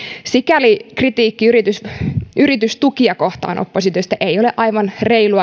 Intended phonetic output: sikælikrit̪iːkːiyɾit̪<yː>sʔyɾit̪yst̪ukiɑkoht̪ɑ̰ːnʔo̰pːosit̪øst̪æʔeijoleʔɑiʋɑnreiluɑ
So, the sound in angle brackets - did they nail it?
no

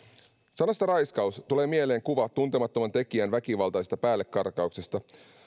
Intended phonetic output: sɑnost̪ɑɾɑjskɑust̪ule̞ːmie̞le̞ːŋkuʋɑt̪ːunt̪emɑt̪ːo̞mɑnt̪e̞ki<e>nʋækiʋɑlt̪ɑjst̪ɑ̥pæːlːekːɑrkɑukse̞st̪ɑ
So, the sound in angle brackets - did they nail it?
no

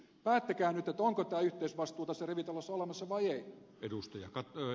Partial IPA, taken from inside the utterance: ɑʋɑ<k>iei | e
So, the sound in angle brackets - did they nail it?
no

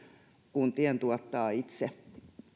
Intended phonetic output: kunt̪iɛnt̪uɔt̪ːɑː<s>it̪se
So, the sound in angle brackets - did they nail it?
no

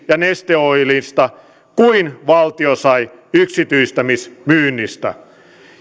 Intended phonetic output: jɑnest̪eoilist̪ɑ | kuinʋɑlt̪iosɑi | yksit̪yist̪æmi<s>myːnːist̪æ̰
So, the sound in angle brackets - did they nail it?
yes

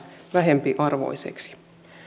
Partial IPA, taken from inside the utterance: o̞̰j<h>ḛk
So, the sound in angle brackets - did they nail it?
no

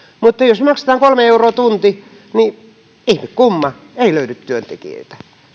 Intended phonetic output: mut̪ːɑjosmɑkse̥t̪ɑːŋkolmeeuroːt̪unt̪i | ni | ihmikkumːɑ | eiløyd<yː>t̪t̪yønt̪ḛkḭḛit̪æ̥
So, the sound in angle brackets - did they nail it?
no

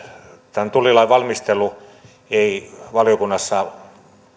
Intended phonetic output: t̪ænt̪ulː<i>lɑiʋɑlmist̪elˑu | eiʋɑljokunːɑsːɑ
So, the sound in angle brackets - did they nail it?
yes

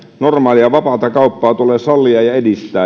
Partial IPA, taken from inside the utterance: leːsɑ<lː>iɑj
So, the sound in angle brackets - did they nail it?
yes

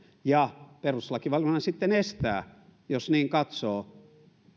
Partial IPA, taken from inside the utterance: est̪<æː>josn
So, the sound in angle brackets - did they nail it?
yes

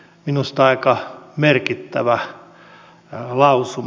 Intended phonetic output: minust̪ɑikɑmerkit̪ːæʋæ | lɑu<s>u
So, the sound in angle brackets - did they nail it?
yes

